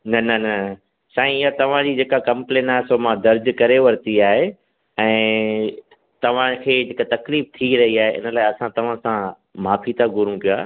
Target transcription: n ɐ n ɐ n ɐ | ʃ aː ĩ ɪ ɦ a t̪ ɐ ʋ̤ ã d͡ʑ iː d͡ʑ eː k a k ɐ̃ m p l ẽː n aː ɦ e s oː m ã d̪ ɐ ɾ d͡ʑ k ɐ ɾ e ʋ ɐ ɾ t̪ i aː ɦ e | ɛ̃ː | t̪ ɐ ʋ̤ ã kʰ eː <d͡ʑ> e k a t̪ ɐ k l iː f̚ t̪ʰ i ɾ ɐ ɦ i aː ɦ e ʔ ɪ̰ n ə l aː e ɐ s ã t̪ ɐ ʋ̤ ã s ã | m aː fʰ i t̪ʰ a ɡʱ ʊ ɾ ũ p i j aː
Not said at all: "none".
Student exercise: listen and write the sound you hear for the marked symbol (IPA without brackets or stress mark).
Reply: d͡ʑ